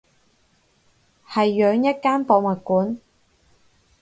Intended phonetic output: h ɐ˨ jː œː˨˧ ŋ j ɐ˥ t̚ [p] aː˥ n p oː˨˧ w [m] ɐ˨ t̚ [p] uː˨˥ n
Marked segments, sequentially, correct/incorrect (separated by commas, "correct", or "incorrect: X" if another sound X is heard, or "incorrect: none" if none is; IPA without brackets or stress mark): incorrect: k, correct, incorrect: k